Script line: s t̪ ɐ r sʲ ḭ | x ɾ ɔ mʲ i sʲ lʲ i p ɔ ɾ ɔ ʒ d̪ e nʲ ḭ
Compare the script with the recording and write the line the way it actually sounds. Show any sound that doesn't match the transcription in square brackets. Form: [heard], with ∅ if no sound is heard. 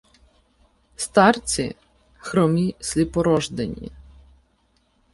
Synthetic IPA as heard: s t̪ [ɑ] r [t͡sʲ] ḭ | x ɾ ɔ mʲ i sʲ lʲ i p ɔ ɾ ɔ ʒ d̪ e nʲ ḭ